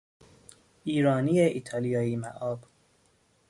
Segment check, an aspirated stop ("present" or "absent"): present